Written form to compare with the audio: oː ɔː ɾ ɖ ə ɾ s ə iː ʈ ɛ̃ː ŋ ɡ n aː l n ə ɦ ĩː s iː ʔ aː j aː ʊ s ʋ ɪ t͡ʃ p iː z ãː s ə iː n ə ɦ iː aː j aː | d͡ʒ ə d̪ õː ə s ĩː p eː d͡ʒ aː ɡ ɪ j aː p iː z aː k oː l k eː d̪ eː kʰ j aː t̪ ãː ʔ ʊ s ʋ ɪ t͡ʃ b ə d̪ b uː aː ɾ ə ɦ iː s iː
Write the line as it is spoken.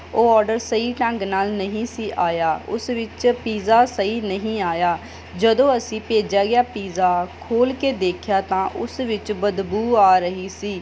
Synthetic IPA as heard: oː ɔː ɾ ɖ ə ɾ s ə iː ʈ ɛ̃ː ŋ ɡ n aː l n ə ɦ ĩː s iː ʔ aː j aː ʊ s ʋ ɪ t͡ʃ p iː z aː s ə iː n ə ɦ ĩː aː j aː | d͡ʒ ə d̪ õː ə s ĩː p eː d͡ʒ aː ɡ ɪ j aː p iː z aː kʰ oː l k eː d̪ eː kʰ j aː t̪ ãː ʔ ʊ s ʋ ɪ t͡ʃ b ə d̪ b uː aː ɾ ə ɦ iː s iː

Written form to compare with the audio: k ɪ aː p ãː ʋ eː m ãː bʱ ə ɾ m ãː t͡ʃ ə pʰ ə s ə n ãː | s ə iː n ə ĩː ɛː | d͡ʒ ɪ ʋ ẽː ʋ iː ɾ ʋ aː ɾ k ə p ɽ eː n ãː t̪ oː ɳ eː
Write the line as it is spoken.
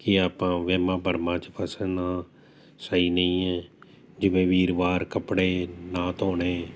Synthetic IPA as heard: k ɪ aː p ãː ʋ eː m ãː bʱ ə ɾ m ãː t͡ʃ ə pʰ ə s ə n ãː | s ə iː n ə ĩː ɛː | d͡ʒ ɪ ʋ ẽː ʋ iː ɾ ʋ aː ɾ k ə p ɽ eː n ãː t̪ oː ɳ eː

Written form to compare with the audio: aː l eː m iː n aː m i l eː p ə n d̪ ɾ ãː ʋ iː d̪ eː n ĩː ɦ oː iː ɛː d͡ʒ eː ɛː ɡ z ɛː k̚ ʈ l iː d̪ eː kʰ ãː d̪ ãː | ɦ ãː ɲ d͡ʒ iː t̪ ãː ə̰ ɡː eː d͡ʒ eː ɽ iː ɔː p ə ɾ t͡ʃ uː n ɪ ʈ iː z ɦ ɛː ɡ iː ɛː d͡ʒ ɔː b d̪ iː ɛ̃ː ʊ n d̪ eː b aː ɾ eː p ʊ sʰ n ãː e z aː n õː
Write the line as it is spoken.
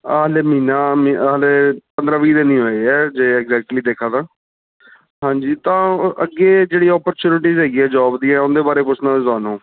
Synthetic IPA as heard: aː l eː m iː n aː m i l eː p ə n d̪ ɾ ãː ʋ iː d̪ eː n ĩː ɦ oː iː ɛː d͡ʒ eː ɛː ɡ z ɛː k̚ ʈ l iː d̪ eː kʰ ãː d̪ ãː | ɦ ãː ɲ d͡ʒ iː t̪ ãː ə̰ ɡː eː d͡ʒ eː ɽ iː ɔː p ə ɾ t͡ʃ uː n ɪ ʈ iː z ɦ ɛː ɡ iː ɛː d͡ʒ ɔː b d̪ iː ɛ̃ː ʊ n d̪ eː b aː ɾ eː p ʊ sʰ n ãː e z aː n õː

